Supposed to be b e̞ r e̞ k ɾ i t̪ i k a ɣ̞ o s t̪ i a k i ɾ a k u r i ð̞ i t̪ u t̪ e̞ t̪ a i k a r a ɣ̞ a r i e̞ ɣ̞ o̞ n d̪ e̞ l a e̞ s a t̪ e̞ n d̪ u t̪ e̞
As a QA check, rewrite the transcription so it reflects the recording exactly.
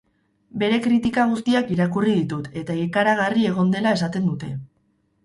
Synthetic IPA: b e̞ ɾ e̞ k ɾ i t̪ i k a ɣ̞ u s t̪ i a k i ɾ a k u r i ð̞ i t̪ u t̪ e̞ t̪ a i k a ɾ a ɣ̞ a r i e̞ ɣ̞ o̞ n d̪ e̞ l a e̞ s a t̪ e̞ n d̪ u t̪ e̞

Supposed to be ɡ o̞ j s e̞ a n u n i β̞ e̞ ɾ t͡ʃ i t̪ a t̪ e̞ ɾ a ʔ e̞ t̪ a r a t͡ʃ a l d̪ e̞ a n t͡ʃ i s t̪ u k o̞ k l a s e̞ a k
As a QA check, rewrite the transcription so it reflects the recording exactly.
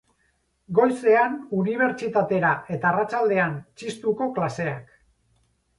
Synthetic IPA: ɡ o̞ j s e̞ a n u n i β̞ e̞ ɾ t͡ʃ i t̪ a t̪ e̞ ɾ a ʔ e̞ t̪ a r a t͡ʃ a l d̪ e̞ a n t͡ʃ i s t̪ u k o̞ k l a s e̞ a k

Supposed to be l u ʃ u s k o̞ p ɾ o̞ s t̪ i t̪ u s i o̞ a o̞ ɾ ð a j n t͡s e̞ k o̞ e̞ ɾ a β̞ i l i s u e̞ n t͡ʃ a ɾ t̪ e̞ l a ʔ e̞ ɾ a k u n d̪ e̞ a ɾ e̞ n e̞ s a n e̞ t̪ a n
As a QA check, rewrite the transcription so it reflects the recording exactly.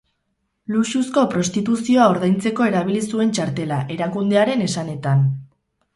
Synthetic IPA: l u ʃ u s k o̞ p ɾ o̞ s t̪ i t̪ u s i o̞ a o̞ ɾ ð a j n t͡s e̞ k o̞ e̞ ɾ a β̞ i l i s u e̞ n t͡ʃ a ɾ t̪ e̞ l a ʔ e̞ ɾ a k u n d̪ e̞ a ɾ e̞ n e̞ s a n e̞ t̪ a n

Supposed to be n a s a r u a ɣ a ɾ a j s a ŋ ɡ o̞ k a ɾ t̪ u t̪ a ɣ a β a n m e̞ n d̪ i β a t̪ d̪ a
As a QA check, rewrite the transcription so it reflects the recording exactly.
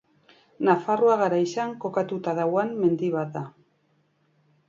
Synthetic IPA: n a f a r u a ɣ a ɾ a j s a ŋ k o̞ k a t̪ u t̪ a ð a w a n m e̞ n d̪ i β a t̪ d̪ a

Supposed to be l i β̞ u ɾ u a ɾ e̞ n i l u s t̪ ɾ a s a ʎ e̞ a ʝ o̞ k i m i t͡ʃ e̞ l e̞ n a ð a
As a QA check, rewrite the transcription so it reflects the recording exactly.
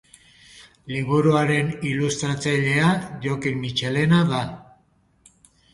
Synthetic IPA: l i β̞ u ɾ u a ɾ e̞ n i l u s t̪ ɾ a t͡s a ʎ e̞ a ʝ o̞ k i m i t͡ʃ e̞ l e̞ n a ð a

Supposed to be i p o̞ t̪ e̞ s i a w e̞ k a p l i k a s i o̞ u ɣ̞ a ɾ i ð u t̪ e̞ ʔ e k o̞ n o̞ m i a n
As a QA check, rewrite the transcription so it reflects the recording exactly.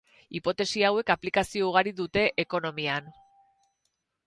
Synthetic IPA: i p o̞ t̪ e̞ s i a w e̞ k a p l i k a s i o̞ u ɣ̞ a ɾ i ð u t̪ e̞ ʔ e k o̞ n o̞ m i a n

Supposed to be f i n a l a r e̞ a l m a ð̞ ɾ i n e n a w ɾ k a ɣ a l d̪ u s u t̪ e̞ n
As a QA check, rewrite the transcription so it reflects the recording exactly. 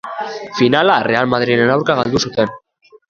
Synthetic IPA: f i n a l a r e̞ a l m a ð̞ ɾ i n e n a w ɾ k a ɣ a l d̪ u s u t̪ e̞ n

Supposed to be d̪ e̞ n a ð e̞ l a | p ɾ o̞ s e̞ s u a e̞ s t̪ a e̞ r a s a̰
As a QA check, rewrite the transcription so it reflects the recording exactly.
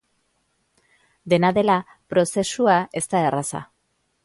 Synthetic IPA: d̪ e̞ n a ð e̞ l a | p ɾ o̞ s e̞ s u a e̞ s t̪ a e̞ r a s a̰

